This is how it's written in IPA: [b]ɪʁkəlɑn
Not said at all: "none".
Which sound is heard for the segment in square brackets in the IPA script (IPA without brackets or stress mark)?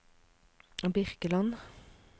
b